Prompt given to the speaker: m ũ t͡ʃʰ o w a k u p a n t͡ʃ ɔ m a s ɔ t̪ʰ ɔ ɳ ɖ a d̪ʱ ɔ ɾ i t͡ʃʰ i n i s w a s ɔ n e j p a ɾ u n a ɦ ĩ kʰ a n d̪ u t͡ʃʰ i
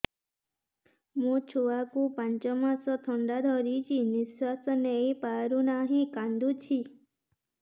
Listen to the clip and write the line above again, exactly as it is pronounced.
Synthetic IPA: m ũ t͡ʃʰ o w a k u p a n t͡ʃ ɔ m a s ɔ t̪ʰ ɔ ɳ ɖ a d̪ʱ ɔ ɾ i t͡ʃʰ i n i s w a s ɔ n e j p a ɾ u n a ɦ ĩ k a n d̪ u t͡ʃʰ i